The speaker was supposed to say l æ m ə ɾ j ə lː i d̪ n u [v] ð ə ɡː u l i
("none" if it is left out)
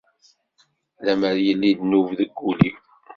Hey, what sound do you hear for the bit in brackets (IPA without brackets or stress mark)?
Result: v